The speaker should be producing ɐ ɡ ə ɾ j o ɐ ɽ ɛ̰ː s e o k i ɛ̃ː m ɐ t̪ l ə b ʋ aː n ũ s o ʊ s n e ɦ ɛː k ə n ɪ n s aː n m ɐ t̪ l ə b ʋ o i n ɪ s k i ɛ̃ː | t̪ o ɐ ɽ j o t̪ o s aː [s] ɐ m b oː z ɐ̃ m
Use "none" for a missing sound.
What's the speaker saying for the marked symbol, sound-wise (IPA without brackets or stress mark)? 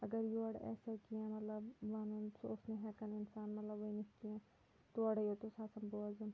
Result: s